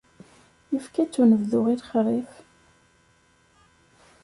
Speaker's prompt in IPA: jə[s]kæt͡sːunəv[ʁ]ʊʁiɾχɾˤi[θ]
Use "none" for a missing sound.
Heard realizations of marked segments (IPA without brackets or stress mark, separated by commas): f, ð, f